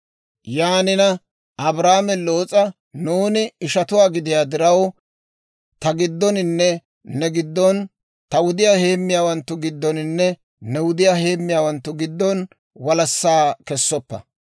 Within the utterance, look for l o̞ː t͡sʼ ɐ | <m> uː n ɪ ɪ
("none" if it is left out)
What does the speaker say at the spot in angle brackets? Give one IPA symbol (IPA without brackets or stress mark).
n